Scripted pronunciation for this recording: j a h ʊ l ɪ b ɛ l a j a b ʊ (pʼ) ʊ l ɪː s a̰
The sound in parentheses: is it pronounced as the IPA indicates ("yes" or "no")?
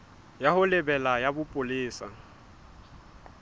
yes